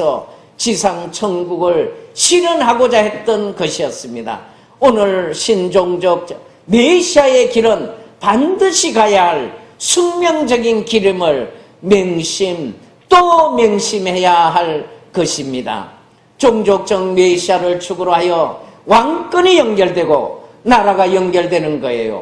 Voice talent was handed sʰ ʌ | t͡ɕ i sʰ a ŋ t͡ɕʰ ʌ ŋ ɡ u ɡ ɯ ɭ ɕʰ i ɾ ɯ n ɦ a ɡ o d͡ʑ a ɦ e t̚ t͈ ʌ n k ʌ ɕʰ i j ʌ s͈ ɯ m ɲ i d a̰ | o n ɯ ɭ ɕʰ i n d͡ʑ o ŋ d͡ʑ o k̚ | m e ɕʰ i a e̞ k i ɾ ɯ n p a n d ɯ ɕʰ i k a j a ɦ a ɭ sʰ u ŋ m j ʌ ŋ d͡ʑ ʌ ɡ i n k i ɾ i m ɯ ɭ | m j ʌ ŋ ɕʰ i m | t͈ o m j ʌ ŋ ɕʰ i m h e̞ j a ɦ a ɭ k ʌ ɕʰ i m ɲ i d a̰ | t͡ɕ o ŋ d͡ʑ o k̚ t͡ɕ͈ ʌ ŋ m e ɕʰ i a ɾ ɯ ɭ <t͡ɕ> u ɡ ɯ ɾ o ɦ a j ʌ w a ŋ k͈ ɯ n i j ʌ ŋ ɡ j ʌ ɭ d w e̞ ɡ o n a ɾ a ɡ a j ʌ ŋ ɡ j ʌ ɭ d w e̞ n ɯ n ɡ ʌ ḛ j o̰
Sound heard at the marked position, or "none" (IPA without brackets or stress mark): t͡ɕʰ